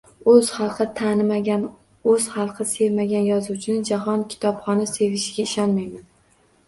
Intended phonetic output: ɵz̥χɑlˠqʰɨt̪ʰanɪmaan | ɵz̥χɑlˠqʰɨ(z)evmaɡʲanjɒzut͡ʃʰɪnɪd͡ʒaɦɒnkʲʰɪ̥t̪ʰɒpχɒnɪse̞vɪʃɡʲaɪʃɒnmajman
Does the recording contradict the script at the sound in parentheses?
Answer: yes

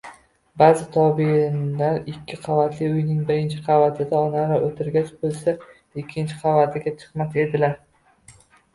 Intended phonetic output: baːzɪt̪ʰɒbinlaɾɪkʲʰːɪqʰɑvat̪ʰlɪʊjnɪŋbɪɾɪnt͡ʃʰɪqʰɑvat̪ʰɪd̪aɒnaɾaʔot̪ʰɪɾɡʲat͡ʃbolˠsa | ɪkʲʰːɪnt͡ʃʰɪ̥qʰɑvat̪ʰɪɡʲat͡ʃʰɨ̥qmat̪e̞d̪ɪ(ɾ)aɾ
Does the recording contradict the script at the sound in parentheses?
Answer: yes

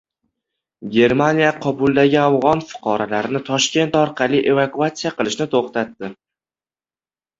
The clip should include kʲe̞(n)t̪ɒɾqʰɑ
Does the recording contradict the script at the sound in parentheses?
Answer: no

